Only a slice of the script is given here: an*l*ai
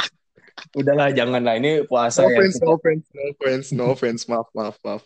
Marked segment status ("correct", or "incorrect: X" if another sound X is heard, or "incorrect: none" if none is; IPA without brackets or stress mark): correct